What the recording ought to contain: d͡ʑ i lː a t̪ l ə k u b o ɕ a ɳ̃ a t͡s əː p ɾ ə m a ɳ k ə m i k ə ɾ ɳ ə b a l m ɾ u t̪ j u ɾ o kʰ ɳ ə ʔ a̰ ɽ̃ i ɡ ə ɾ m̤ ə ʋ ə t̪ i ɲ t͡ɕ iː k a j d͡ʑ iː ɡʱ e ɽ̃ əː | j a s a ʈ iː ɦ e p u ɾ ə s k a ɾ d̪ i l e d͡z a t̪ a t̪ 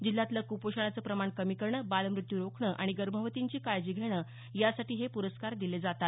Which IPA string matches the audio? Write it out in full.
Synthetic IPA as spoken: d͡ʑ i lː a t̪ l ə k u p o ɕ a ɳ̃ a t͡s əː p ɾ ə m a ɳ k ə m i k ə ɾ ɳ ə b a l m ɾ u t̪ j u ɾ o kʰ ɳ ə ʔ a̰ ɽ̃ i ɡ ə ɾ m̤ ə ʋ ə t̪ i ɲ t͡ɕ iː k a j d͡ʑ iː ɡʱ e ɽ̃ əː | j a s a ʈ iː ɦ e p u ɾ ə s k a ɾ d̪ i l e d͡z a t̪ a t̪